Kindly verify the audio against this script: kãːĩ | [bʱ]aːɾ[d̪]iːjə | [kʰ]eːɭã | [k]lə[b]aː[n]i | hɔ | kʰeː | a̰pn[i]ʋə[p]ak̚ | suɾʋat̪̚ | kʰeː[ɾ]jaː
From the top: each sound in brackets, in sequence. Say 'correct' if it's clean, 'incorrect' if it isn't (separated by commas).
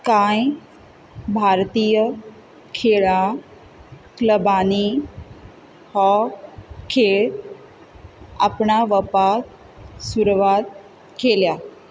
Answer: correct, incorrect, correct, correct, correct, correct, incorrect, correct, incorrect